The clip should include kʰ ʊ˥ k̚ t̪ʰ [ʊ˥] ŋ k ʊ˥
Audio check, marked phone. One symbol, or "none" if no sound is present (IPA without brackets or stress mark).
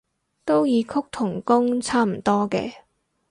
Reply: ʊ˨˩